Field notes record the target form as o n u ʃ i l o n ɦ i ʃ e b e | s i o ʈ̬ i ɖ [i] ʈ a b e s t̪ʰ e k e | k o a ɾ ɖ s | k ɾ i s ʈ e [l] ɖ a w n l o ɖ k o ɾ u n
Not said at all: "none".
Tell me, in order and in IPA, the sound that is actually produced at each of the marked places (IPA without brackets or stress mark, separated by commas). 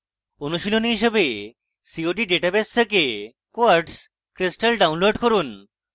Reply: e, l